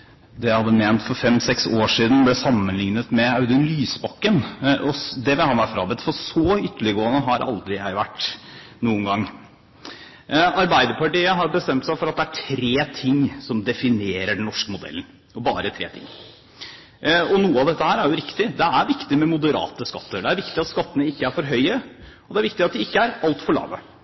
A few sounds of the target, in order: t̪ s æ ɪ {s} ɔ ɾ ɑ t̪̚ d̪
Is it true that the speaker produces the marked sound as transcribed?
no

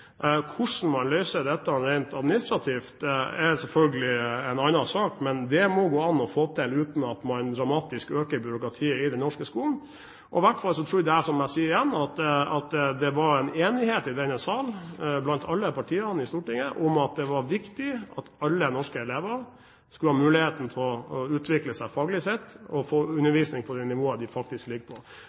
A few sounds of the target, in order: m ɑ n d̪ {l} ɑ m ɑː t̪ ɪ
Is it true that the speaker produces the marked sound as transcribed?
no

